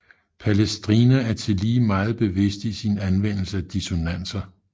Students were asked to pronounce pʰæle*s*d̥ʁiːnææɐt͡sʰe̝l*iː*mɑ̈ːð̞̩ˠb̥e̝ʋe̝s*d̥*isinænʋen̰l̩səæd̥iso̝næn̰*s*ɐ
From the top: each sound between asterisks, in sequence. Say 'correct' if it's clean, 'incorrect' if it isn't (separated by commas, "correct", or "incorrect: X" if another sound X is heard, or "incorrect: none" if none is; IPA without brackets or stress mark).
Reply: correct, correct, correct, correct